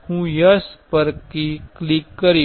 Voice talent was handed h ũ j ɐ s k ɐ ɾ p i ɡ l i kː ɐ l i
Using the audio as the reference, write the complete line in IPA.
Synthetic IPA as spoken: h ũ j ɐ s p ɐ ɾ k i k l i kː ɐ ɾ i